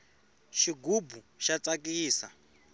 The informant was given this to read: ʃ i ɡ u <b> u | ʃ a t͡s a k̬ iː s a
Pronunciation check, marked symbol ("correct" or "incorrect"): correct